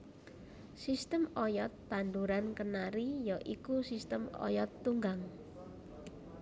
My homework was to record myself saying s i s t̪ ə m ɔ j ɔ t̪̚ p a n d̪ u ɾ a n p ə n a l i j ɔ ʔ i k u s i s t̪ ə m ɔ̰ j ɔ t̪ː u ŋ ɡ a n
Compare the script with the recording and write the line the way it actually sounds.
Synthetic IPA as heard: s i s t̪ ə m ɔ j ɔ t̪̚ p a n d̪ u ɾ a n k ə n a ɾ i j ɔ ʔ i k u s i s t̪ ə m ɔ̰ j ɔ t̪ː u ŋ ɡ a ŋ